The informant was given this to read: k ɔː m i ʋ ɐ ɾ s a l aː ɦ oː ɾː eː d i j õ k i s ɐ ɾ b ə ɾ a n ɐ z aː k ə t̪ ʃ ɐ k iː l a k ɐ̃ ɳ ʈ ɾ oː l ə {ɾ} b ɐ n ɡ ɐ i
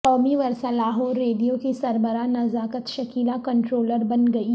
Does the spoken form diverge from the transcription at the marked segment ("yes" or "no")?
no